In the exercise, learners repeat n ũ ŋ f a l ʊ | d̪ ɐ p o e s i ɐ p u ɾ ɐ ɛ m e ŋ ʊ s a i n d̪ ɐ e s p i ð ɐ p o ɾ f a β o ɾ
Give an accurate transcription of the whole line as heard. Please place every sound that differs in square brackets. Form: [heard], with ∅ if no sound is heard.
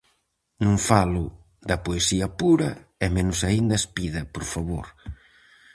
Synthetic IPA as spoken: n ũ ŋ f a l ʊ | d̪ ɐ p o e s i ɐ p u ɾ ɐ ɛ m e [n] ʊ s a i n d̪ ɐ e s p i ð ɐ p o ɾ f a β o ɾ